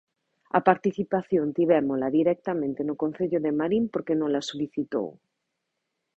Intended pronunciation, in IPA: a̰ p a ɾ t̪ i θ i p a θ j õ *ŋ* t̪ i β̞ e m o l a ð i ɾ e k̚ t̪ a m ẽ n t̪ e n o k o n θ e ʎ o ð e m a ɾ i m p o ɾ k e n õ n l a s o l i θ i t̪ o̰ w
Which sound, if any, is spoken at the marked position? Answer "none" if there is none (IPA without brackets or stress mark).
n